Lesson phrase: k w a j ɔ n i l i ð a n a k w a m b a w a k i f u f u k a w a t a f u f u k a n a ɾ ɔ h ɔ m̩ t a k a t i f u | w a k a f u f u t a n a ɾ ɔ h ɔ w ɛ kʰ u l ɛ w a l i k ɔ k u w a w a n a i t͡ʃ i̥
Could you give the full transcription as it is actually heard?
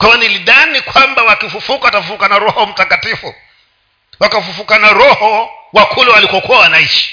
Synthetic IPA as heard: k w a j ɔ n i l i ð a n i k w a m b a w a k i f u f u k a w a t a f u f u k a n a ɾ ɔ h ɔ m̩ t a k a t i f u | w a k a f u f u k a n a ɾ ɔ h ɔ w a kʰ u l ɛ w a l i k ɔ k u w a w a n a i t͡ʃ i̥